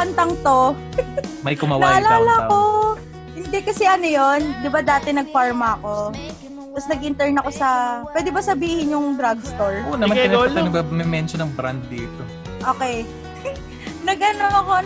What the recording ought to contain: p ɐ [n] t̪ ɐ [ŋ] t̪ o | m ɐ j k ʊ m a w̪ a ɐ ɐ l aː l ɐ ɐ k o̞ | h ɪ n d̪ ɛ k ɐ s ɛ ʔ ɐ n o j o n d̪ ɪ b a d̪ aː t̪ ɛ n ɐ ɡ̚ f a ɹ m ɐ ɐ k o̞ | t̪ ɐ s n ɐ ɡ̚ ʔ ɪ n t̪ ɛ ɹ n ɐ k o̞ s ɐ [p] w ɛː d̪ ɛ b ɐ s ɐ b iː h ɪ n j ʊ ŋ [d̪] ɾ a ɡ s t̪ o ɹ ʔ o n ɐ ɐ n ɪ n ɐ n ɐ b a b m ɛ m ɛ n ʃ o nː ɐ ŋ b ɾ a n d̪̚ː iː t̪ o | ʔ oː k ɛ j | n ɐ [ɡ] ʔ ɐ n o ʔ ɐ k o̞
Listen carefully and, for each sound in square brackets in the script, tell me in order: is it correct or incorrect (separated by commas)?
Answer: correct, correct, correct, correct, correct